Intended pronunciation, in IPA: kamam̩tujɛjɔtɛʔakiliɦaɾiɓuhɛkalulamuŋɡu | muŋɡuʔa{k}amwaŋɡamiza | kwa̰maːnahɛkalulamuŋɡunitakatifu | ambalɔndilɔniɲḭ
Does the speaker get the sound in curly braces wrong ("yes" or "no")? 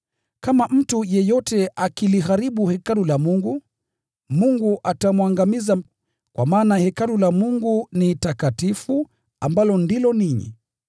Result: yes